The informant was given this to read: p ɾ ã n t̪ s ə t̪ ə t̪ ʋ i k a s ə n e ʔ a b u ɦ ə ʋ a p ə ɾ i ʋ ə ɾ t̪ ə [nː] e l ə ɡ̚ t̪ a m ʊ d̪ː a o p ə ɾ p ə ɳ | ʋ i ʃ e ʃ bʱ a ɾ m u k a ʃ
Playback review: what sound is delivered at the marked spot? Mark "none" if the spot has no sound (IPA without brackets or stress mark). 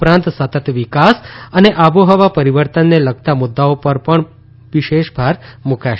nː